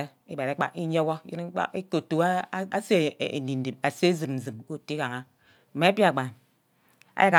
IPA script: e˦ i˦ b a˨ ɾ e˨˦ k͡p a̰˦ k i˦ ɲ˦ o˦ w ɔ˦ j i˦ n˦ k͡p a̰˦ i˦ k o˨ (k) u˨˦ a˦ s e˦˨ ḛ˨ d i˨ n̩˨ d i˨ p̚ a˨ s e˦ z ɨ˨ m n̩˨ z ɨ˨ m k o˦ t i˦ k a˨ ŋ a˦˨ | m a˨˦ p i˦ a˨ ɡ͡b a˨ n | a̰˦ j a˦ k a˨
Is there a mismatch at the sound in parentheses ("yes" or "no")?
yes